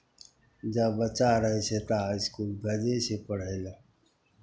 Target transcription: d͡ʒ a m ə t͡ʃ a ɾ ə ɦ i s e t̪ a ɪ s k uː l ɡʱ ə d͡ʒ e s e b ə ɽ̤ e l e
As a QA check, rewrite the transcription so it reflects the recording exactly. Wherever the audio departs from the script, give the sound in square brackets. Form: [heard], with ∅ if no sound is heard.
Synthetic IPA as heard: d͡ʒ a [b] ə t͡ʃ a ɾ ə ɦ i s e t̪ a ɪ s k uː l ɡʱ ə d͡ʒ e s e [p] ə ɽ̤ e l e